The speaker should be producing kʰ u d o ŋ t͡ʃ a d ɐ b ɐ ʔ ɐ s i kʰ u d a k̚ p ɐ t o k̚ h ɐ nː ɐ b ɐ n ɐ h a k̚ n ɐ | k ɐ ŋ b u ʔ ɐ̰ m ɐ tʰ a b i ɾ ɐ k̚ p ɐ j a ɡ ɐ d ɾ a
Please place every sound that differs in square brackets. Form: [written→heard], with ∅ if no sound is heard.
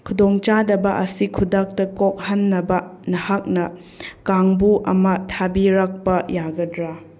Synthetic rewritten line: kʰ u d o ŋ t͡ʃ a d ɐ b ɐ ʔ ɐ s i kʰ u d a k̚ [p→t] ɐ [t→k] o k̚ h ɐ nː ɐ b ɐ n ɐ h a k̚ n ɐ | k [ɐ→a] ŋ b u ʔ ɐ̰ m ɐ tʰ a b i ɾ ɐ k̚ p ɐ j a ɡ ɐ d ɾ a